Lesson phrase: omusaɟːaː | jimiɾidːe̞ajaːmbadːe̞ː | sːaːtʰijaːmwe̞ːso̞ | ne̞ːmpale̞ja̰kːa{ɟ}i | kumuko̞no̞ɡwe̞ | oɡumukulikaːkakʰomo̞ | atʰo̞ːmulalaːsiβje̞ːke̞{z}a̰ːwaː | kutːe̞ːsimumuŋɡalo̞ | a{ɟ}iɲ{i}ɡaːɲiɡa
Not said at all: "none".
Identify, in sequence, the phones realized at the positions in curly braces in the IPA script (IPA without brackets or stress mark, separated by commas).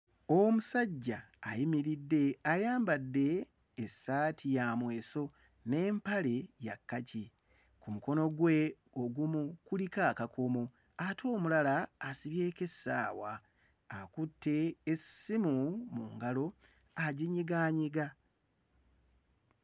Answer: c, s, ɟ, i